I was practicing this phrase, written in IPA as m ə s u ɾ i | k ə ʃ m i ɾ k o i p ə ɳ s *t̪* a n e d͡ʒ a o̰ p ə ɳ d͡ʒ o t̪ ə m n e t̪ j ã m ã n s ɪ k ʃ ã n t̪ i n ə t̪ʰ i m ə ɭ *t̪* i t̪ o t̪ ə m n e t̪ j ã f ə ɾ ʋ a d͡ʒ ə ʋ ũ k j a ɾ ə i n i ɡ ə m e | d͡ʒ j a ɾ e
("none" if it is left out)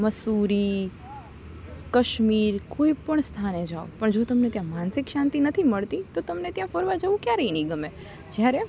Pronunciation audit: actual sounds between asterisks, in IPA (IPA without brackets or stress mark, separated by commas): t̪ʰ, t̪